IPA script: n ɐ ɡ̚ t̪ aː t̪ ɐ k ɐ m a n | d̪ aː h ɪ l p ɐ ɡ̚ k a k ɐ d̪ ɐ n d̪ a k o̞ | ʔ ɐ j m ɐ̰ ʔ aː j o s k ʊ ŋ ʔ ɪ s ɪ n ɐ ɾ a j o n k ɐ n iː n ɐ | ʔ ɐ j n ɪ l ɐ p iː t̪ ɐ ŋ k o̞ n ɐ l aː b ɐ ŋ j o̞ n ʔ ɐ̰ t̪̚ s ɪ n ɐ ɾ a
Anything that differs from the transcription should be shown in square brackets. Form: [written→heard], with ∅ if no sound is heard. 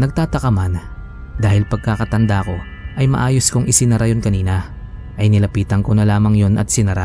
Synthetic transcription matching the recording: n ɐ ɡ̚ t̪ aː t̪ ɐ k ɐ m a n | d̪ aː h ɪ l p ɐ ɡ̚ k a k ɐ [d̪→t̪] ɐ n d̪ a k o̞ | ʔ ɐ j m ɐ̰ ʔ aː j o s k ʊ ŋ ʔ ɪ s ɪ n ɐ ɾ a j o n k ɐ n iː n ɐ | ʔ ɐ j n ɪ l ɐ p iː t̪ ɐ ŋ k o̞ n ɐ l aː [b→m] ɐ ŋ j o̞ n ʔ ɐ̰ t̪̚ s ɪ n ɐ ɾ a